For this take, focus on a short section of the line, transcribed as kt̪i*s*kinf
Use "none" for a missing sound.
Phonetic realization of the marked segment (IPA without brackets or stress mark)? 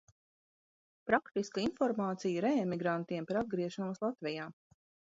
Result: s